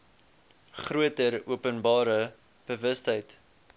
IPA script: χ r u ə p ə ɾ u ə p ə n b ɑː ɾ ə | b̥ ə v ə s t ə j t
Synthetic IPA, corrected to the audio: χ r u ə t ə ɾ u ə p ə n b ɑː ɾ ə | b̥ ə v ə s t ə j t